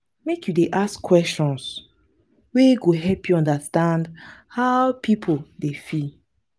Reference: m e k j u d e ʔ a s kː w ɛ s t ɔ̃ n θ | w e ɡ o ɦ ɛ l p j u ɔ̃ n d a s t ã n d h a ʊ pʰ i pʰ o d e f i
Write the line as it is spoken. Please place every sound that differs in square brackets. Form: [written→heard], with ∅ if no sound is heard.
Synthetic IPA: m e k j u d e ʔ a s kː w ɛ s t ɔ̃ n [θ→s] | w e ɡ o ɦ ɛ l p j u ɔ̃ n d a s t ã n d h a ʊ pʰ i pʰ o d e f i